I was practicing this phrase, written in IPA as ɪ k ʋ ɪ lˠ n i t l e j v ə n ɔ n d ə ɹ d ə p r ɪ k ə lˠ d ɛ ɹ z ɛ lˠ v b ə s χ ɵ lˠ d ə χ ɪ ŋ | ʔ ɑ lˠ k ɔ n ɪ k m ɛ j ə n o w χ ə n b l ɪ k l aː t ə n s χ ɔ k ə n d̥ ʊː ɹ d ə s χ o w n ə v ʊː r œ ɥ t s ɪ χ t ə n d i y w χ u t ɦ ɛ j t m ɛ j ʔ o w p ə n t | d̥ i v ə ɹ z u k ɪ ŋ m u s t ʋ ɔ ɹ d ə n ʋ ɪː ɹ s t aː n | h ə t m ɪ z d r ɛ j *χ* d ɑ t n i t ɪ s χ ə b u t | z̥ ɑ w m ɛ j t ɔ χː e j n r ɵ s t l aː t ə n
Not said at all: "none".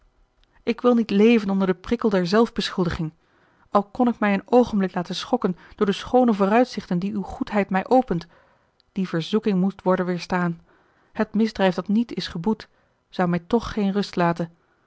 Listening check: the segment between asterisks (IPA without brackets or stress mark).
f